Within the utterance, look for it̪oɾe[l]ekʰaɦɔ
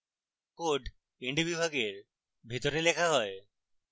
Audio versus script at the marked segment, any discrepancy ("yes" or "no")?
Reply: no